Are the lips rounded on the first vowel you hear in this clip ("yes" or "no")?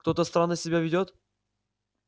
yes